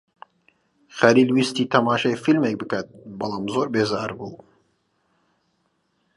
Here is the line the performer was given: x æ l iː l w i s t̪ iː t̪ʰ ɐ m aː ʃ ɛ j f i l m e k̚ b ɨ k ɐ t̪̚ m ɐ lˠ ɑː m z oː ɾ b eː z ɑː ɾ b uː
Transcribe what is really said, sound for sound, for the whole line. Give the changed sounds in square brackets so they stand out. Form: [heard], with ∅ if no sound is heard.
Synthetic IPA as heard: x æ l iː l w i s t̪ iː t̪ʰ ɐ m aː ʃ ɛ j f i l m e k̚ b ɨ k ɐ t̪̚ [b] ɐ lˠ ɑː m z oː ɾ b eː z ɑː ɾ b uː